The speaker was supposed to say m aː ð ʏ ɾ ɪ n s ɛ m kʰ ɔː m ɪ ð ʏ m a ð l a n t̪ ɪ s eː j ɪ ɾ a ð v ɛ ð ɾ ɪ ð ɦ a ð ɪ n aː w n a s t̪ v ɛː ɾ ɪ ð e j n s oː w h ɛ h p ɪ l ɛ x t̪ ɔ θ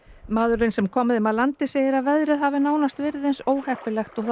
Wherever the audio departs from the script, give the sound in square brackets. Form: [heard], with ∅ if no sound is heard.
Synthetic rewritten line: m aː ð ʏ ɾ ɪ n s ɛ m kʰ ɔː m ɪ ð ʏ m a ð l a n t̪ ɪ s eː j ɪ ɾ a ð v ɛ ð ɾ ɪ ð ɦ a [v] ɪ n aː w n a s t̪ v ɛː ɾ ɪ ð e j n s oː w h ɛ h p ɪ l ɛ x t̪ ɔ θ